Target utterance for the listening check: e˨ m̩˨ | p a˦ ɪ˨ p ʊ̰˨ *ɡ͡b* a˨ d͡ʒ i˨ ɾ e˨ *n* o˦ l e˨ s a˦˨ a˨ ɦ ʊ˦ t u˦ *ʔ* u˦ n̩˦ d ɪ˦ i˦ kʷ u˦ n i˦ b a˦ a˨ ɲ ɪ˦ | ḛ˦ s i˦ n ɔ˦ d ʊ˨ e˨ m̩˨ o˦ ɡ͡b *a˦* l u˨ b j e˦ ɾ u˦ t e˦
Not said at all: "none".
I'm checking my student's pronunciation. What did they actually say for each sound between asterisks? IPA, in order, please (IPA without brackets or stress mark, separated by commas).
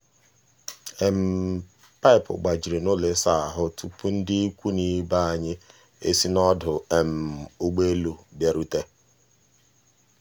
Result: ɡ͡b, n, p, e˦